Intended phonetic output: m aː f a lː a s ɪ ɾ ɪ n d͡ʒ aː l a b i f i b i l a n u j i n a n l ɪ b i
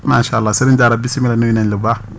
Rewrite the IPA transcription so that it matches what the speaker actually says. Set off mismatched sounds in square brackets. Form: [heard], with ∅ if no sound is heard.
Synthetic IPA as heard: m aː [ʃ] a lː a s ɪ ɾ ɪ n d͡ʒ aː [ɾ] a b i [s] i [m] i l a n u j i n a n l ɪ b [a]

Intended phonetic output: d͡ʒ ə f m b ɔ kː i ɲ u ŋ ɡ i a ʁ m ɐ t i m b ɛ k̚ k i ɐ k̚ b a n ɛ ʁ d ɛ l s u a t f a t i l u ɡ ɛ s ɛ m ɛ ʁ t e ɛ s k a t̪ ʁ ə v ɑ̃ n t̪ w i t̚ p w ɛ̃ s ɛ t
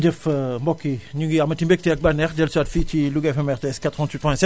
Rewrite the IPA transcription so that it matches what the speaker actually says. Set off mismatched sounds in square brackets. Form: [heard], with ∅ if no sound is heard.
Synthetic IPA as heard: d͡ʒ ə f m b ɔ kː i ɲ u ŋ ɡ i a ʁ m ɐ t i m b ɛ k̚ [t] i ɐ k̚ b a n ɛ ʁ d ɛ l s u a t f [i] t i l u ɡ ɛ [f] ɛ m ɛ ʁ t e ɛ s k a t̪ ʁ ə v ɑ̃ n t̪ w i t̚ p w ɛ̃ s ɛ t

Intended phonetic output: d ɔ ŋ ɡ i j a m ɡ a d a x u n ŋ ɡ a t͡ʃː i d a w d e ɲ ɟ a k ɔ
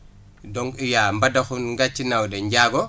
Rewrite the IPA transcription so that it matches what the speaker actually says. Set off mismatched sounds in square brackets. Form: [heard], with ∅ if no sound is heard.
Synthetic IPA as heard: d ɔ ŋ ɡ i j a m [b] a d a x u n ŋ ɡ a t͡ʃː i [n] a w d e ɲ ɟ a [ɡ] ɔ

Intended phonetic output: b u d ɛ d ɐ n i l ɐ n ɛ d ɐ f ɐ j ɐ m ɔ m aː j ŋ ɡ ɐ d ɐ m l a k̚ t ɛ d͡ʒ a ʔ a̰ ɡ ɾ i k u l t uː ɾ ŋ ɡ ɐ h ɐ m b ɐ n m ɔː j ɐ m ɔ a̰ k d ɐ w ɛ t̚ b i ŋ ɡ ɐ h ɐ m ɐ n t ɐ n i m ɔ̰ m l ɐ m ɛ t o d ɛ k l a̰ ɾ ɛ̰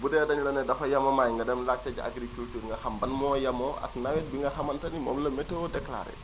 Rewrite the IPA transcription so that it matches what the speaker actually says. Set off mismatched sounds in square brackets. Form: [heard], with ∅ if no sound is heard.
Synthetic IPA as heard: b u d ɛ d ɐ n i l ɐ n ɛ d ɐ f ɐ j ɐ m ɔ m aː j ŋ ɡ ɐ d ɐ m l a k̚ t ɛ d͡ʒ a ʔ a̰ ɡ ɾ i k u l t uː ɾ ŋ ɡ ɐ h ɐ m b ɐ n m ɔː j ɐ m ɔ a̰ k [n] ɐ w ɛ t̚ b i ŋ ɡ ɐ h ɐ m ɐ n t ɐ n i m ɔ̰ m l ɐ m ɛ t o d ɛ k l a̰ ɾ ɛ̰

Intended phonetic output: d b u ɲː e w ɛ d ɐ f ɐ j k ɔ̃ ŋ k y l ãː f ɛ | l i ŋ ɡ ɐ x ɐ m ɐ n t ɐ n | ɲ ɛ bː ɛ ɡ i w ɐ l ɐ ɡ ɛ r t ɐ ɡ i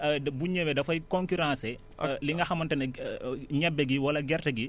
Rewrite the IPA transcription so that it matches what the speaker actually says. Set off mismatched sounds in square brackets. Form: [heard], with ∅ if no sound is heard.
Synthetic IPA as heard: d b u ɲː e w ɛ d ɐ f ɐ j k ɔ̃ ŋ k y [ɾ] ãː [s] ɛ | l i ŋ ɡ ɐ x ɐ m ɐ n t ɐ n | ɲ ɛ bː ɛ ɡ i w ɐ l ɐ ɡ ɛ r t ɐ ɡ i

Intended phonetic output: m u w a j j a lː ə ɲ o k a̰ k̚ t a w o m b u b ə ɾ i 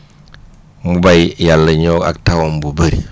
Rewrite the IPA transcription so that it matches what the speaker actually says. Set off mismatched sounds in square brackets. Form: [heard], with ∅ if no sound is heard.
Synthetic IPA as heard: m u [b] a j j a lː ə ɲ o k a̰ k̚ t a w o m b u b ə ɾ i

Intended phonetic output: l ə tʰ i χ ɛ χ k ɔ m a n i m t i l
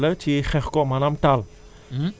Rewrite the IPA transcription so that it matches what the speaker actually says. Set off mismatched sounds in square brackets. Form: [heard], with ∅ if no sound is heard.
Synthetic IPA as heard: l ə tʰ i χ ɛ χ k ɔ m a n [a] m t [a] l

